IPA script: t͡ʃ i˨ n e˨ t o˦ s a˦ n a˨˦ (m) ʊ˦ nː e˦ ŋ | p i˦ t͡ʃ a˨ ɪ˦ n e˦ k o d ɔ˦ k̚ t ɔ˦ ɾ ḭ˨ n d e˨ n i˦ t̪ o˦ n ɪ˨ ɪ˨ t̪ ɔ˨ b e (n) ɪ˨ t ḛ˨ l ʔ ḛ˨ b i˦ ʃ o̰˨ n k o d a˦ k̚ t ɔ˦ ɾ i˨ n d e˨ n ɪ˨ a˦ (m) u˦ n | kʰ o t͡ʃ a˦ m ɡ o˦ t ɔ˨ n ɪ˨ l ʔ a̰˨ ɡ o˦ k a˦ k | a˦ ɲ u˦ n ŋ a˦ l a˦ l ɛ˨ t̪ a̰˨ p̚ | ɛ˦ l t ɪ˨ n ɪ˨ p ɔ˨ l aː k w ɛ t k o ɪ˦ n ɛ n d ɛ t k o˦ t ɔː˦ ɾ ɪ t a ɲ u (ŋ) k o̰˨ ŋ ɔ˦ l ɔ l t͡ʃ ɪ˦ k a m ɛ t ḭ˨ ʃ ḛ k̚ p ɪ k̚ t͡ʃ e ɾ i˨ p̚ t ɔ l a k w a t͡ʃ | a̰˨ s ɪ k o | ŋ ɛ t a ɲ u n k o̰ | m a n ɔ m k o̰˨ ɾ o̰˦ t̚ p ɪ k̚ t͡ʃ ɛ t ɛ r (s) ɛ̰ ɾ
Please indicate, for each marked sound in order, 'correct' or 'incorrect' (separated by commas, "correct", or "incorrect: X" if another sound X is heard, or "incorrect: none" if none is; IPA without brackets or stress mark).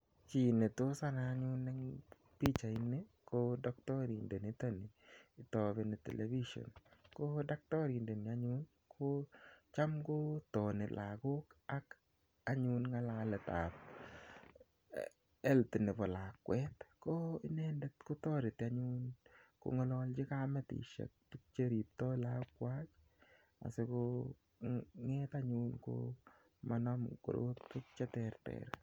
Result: incorrect: ɲ, correct, incorrect: ɲ, incorrect: n, incorrect: t